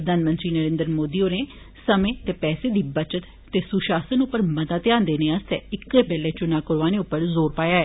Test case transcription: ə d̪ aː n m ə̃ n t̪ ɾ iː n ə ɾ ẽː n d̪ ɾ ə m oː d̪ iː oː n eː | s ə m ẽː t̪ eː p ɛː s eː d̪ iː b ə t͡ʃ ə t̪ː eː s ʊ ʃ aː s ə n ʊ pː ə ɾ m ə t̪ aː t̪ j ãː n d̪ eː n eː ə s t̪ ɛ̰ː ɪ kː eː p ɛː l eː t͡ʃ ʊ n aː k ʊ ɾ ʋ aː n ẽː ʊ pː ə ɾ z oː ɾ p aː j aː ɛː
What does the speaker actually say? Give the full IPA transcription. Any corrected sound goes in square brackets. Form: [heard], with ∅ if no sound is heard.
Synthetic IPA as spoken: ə d̪ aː n m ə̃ n t̪ ɾ iː n ə ɾ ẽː n d̪ ɾ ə m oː d̪ iː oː n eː | s ə m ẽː t̪ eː p ɛː s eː d̪ iː b ə t͡ʃ ə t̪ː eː s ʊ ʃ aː s ə n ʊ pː ə ɾ m ə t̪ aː t̪ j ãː n d̪ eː n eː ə s t̪ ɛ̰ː ɪ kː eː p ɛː l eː t͡ʃ ʊ n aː k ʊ ɾ ʋ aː n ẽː ʊ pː ə ɾ z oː ɾ p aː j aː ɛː